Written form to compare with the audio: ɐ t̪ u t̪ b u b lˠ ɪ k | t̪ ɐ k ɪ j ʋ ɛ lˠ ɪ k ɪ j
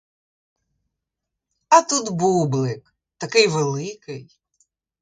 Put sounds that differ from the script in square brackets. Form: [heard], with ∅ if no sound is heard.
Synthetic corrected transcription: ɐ t̪ u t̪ b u b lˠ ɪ k | t̪ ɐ k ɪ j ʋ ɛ lˠ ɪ k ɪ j